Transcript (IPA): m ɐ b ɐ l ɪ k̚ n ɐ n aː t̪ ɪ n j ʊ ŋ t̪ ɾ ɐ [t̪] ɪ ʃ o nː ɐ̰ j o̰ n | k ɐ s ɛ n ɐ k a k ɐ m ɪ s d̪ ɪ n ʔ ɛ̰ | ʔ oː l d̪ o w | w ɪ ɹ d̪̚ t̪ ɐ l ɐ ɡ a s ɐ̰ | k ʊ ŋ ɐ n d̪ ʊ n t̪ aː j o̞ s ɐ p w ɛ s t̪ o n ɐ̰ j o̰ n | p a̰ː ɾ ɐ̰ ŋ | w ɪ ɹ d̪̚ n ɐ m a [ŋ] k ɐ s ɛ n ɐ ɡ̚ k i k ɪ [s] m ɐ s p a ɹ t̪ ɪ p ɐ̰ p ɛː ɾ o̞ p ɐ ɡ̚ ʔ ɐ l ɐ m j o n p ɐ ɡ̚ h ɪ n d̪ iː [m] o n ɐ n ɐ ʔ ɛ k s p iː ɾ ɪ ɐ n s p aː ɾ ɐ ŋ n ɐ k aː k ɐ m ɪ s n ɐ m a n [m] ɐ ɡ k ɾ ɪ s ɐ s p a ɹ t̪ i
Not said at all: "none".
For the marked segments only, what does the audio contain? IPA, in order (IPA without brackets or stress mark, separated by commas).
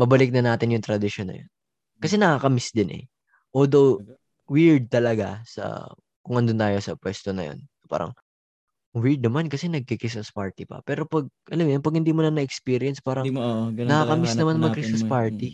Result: d̪, n, s, m, m